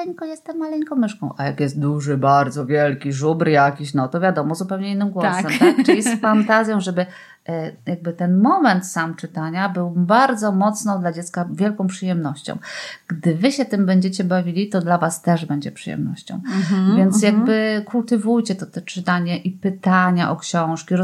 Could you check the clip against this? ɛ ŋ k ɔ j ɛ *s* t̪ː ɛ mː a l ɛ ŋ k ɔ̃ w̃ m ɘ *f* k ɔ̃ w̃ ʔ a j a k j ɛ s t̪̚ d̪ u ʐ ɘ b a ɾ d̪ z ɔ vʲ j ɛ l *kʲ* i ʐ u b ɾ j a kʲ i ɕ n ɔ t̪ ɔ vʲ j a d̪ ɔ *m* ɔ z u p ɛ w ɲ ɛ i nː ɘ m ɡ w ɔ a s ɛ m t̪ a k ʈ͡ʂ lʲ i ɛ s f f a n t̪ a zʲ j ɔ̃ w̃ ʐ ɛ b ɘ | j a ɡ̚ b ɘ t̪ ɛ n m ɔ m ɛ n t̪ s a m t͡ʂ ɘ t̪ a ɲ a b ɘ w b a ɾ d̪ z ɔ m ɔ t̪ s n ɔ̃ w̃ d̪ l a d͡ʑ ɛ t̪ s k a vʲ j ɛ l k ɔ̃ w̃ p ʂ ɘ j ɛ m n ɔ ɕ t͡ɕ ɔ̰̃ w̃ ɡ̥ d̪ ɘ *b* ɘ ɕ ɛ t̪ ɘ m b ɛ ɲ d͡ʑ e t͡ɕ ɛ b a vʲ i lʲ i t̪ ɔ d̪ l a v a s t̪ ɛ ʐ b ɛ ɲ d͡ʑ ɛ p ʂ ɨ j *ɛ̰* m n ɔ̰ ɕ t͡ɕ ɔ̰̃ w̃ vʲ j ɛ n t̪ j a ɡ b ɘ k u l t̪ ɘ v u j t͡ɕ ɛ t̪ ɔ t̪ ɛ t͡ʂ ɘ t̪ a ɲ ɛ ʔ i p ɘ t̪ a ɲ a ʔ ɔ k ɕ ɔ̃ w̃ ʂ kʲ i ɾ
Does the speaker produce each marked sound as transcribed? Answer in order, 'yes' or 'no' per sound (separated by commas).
yes, no, yes, yes, no, yes